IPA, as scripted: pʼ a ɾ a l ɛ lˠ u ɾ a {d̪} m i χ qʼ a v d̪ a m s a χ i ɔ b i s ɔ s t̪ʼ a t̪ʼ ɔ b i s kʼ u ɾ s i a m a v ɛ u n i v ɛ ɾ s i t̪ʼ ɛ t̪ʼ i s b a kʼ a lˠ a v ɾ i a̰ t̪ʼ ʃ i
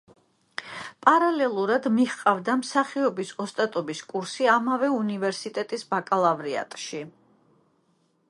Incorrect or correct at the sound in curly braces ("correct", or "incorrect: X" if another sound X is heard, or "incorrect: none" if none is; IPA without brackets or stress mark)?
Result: correct